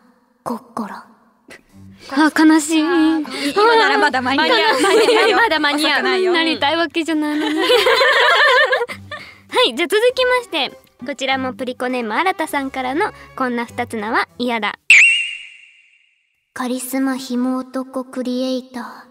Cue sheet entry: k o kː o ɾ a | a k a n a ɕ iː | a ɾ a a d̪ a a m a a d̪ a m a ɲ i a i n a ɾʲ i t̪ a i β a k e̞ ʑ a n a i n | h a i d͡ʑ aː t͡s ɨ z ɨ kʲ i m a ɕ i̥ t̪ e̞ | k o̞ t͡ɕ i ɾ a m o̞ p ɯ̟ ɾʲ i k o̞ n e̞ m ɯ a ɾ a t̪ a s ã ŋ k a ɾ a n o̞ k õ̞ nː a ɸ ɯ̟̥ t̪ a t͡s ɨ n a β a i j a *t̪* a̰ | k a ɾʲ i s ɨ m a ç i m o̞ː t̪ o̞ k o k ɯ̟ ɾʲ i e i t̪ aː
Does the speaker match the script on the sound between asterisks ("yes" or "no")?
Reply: no